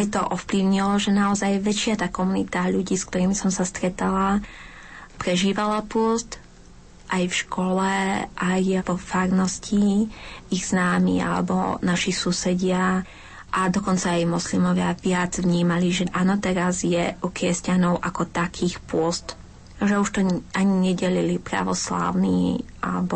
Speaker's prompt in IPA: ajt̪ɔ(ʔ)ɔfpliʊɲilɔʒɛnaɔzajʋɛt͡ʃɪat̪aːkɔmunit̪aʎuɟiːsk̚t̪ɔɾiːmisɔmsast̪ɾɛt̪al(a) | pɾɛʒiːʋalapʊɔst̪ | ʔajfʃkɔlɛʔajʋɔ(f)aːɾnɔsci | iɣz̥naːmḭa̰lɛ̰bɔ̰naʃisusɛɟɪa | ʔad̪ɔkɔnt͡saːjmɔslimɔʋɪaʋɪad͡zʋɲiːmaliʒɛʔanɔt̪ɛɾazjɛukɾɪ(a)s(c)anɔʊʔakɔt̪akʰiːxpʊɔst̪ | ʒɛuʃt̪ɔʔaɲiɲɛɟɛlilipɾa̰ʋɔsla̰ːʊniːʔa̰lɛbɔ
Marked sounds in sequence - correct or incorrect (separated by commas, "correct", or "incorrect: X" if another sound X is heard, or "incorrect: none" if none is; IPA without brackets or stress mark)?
correct, correct, correct, incorrect: ɛ, correct